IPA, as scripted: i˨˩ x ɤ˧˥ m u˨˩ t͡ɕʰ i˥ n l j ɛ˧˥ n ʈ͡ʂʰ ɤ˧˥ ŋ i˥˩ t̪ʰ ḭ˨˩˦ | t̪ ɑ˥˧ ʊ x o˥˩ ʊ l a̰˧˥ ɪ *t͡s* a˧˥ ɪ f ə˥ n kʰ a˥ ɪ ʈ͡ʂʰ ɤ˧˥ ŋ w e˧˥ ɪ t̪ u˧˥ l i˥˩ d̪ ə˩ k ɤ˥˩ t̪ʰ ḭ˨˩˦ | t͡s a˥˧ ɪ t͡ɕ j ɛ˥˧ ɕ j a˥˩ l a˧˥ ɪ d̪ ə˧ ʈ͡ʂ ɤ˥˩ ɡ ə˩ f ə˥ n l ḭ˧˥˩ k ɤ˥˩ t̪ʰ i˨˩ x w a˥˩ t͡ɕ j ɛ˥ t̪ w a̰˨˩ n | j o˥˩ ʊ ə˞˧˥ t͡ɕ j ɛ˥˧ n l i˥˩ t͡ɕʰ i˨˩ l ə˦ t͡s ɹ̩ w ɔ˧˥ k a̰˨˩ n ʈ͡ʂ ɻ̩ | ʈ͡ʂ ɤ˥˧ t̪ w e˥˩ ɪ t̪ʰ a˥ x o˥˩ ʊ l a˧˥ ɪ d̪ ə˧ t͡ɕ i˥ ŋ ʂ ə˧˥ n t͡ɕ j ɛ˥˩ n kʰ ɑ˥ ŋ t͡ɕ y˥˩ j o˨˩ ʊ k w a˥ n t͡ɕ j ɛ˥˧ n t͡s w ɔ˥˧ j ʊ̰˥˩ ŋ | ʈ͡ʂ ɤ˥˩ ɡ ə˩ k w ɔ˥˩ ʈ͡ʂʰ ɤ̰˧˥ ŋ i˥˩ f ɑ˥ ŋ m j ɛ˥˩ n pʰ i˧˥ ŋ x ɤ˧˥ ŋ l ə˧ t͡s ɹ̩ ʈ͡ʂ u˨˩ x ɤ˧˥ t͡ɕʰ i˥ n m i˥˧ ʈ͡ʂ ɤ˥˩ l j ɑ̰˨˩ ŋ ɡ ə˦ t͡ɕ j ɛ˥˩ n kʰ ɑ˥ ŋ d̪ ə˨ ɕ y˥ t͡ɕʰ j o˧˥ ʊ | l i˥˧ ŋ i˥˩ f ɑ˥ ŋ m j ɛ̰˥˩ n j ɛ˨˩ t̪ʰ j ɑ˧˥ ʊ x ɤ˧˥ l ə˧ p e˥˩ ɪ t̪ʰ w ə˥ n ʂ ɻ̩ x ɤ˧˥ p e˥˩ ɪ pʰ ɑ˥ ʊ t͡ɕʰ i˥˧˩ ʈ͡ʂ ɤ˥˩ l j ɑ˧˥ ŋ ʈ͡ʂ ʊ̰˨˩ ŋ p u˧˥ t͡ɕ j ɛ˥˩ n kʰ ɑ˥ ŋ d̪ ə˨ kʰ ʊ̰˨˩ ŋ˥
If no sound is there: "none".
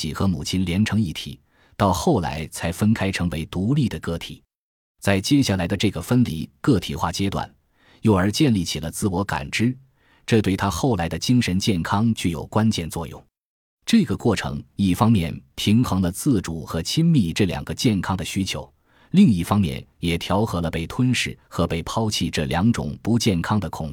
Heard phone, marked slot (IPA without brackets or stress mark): t͡sʰ